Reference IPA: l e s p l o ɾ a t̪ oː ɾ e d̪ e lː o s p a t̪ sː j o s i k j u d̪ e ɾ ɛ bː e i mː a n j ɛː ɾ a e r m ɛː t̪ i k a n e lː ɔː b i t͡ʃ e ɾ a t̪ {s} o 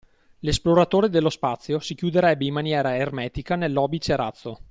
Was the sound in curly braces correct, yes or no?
no